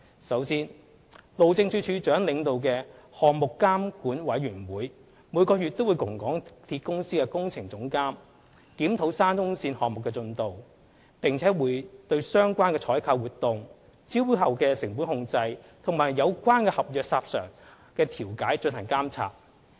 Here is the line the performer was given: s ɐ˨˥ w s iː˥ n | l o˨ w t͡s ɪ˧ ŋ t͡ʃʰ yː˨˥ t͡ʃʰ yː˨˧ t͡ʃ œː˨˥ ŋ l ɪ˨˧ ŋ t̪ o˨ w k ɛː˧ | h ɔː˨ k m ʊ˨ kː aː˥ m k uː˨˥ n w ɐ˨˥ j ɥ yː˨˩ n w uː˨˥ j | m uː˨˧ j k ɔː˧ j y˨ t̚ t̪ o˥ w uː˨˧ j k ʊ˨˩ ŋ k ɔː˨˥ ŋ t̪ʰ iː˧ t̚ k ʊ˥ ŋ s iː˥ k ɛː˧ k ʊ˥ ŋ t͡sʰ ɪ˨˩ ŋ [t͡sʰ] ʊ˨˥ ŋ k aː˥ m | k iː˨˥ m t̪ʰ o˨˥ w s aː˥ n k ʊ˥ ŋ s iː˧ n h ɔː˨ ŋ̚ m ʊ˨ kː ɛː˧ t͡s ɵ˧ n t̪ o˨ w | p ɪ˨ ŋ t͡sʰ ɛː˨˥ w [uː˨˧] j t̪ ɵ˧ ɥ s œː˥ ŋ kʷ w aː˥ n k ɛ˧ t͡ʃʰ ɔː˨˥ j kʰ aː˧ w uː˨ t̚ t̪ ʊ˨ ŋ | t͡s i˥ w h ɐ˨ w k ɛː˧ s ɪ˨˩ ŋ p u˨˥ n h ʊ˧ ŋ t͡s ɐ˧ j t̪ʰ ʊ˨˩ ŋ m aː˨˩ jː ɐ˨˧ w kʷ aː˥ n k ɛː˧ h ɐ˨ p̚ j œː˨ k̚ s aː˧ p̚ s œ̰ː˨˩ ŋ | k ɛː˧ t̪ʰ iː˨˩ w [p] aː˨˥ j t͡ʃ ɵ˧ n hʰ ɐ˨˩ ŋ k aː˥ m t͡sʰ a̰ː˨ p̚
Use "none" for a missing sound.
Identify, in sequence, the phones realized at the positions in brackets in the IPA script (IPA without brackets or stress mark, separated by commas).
t͡s, uː˨˧, k